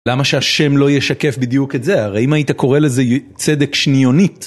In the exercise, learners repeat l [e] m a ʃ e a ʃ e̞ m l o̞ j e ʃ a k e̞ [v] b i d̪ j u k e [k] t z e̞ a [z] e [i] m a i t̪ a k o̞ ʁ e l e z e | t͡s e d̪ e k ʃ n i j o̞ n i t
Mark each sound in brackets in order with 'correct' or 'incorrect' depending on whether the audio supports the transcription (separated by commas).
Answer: incorrect, incorrect, incorrect, incorrect, correct